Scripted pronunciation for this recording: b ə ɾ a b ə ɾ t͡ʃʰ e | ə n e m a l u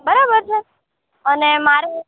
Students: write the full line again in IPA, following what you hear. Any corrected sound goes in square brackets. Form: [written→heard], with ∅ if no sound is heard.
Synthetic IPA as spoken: b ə ɾ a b ə ɾ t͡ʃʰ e | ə n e m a [l→ɾ] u